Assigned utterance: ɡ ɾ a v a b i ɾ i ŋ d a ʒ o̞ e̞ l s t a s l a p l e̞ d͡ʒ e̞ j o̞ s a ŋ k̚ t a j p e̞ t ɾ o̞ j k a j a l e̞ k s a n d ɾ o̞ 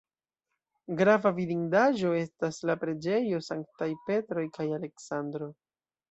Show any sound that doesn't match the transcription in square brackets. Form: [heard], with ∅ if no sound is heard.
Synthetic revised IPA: ɡ ɾ a v a [v] i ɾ i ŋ d a ʒ o̞ e̞ [∅] s t a s l a p [ɾ] e̞ d͡ʒ e̞ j o̞ s a ŋ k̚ t a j p e̞ t ɾ o̞ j k a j a l e̞ k s a n d ɾ o̞